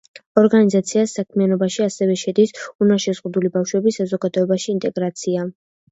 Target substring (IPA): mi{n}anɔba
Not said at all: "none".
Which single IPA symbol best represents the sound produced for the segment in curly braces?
none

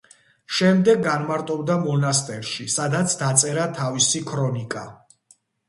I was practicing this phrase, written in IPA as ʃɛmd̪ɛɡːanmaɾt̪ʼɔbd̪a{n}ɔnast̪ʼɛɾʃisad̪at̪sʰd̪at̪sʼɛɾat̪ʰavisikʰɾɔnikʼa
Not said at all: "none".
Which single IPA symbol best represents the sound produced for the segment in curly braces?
m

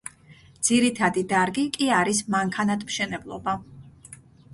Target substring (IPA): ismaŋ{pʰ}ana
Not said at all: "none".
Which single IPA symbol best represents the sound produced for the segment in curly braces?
kʰ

